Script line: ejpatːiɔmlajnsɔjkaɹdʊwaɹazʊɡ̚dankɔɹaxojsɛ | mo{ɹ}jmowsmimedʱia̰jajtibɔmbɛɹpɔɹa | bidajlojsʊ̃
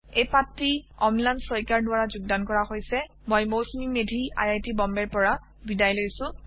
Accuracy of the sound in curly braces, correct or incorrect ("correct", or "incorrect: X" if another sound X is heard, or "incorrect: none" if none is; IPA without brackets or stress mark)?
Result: incorrect: none